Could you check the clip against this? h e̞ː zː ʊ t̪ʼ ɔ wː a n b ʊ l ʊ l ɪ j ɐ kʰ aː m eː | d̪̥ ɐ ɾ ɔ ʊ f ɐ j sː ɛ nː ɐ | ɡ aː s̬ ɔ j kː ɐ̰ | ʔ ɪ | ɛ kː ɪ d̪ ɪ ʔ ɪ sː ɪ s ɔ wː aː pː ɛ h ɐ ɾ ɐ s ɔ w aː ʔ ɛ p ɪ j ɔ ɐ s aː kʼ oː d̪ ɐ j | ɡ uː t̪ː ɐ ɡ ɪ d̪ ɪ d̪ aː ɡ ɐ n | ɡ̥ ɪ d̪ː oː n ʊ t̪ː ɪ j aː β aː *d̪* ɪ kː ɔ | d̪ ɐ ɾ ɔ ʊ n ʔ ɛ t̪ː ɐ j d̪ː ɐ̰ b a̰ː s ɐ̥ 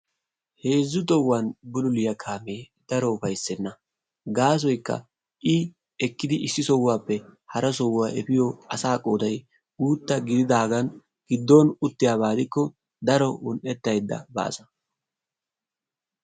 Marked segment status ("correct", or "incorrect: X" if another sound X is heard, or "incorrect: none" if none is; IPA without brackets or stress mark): correct